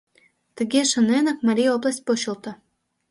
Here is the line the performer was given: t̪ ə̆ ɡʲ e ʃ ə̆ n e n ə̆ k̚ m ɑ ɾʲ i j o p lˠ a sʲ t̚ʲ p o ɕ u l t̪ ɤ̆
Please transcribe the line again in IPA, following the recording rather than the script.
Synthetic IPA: t̪ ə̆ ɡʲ e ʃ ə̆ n e n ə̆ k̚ m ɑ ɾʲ i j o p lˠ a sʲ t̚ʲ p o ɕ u l t̪ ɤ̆